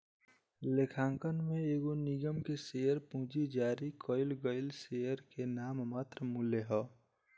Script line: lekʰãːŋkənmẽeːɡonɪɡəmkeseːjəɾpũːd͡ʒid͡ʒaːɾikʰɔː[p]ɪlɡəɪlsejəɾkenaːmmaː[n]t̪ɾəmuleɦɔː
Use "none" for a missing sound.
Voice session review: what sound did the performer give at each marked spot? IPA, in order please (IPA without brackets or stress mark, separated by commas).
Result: none, none